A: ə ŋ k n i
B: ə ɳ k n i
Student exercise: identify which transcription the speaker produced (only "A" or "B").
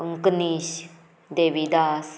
A